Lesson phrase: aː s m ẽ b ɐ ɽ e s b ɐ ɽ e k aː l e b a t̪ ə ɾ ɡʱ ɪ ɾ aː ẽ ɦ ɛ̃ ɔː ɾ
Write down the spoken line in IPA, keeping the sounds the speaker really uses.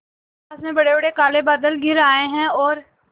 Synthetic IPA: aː s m ẽ b ɐ ɽ e b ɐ ɽ e k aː l e b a d̪ ə l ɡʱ ɪ ɾ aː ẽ ɦ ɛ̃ ɔː ɾ